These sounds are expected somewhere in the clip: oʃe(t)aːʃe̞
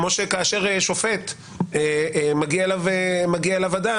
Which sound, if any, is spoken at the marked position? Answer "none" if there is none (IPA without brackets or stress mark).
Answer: k